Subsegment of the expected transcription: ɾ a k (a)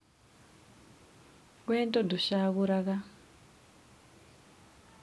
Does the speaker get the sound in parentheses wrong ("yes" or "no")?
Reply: no